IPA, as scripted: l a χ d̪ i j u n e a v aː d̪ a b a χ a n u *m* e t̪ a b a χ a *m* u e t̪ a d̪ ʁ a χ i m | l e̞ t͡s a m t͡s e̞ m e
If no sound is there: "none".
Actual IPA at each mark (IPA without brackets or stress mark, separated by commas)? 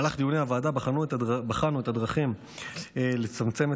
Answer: none, n